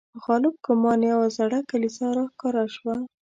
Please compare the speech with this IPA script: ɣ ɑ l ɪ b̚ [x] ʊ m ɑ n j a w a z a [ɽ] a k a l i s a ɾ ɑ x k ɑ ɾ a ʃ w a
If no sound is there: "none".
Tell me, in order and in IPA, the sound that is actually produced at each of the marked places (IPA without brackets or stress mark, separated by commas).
k, ɽ